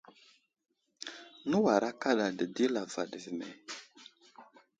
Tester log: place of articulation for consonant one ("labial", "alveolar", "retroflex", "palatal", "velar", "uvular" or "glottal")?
alveolar